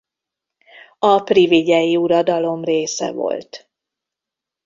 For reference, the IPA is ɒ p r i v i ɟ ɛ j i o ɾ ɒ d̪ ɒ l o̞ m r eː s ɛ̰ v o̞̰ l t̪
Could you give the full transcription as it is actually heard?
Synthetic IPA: ɒ p r i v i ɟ ɛ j i u ɾ ɒ d̪ ɒ l o̞ m r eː s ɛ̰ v o̞̰ l t̪